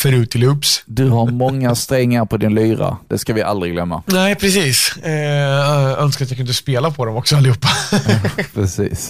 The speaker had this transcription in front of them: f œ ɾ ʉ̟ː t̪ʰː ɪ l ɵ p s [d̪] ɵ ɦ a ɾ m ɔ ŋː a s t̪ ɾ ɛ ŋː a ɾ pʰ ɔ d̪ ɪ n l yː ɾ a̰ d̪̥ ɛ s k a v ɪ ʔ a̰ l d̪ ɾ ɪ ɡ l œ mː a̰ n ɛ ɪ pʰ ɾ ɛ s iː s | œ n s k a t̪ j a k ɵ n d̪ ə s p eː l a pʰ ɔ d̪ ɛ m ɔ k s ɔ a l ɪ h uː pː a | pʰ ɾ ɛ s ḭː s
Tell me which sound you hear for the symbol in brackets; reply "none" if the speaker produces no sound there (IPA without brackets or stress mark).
d̪